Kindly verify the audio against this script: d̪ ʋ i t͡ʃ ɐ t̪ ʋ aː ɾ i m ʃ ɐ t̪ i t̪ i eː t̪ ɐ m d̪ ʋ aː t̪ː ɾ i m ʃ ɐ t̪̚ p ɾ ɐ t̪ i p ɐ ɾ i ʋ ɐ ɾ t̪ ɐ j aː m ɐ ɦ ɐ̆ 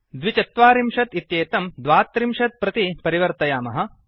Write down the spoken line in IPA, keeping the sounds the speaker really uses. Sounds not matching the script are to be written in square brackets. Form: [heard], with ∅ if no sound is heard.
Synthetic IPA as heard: d̪ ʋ i t͡ʃ ɐ t̪ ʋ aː ɾ i m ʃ ɐ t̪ i t̪ [j] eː t̪ ɐ m d̪ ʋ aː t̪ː ɾ i m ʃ ɐ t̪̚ p ɾ ɐ t̪ i p ɐ ɾ i ʋ ɐ ɾ t̪ ɐ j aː m ɐ ɦ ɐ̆